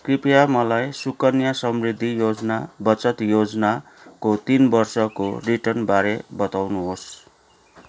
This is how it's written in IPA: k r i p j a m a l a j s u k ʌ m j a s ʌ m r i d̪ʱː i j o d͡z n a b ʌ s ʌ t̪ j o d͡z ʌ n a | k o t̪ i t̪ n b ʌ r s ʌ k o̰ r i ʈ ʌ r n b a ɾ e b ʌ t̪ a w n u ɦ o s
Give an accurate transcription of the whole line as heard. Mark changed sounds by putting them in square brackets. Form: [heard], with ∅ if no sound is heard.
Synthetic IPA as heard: k r i p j a m [ʌ] l a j s u k ʌ [n] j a s ʌ m r i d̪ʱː i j o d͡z n a b ʌ [t͡s] ʌ t̪ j o d͡z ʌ n a | k o t̪ i [∅] n b ʌ r s ʌ k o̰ r i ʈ ʌ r n b a ɾ e b ʌ t̪ a w n u ɦ o s

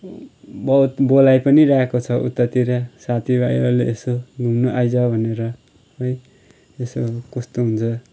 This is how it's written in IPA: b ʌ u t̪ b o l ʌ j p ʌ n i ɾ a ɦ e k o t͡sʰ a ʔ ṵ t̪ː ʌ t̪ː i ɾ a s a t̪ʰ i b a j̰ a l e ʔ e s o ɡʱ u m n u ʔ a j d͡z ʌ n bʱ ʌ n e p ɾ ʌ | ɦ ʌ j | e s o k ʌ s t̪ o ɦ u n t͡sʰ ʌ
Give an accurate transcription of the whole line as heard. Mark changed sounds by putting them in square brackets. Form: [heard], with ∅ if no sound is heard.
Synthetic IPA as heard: b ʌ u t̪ b o l [a] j p ʌ n i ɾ a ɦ e k o t͡sʰ [ʌ] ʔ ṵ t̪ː ʌ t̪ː i ɾ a s a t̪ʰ i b a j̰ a l e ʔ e s o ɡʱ u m n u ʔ a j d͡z ʌ [∅] bʱ ʌ n e [∅] ɾ ʌ | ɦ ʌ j | e s o k ʌ s t̪ o ɦ u n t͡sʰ ʌ

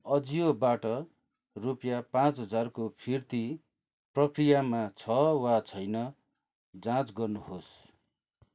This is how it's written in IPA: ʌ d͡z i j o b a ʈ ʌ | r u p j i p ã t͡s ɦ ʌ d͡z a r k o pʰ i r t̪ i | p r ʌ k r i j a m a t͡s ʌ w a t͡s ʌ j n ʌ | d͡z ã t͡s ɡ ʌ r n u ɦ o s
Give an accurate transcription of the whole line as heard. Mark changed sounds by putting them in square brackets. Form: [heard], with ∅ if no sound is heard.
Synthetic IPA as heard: ʌ d͡z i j o b a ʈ ʌ | r u p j [a] p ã t͡s ɦ ʌ d͡z a r k o pʰ i r t̪ i | p r ʌ k r i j a m a [t͡sʰ] ʌ w a [t͡sʰ] ʌ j n ʌ | d͡z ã t͡s ɡ ʌ r n u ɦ o s

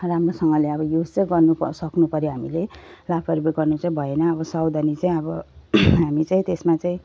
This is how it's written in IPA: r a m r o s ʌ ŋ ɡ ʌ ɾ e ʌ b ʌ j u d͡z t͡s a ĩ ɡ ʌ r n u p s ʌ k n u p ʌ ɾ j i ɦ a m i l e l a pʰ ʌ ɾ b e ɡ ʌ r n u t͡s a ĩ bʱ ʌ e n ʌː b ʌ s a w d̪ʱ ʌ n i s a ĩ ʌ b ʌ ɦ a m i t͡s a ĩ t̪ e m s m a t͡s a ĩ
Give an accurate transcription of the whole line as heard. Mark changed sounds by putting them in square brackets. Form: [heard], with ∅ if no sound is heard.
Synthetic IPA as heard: r a m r o s ʌ ŋ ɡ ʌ [l] e ʌ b ʌ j u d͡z t͡s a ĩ ɡ ʌ r n u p s ʌ k n u p ʌ ɾ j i ɦ a m i l e l a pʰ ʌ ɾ b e ɡ ʌ r n u t͡s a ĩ bʱ ʌ e n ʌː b ʌ s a w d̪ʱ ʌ n i [t͡s] a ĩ ʌ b ʌ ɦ a m i t͡s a ĩ t̪ e [∅] s m a t͡s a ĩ

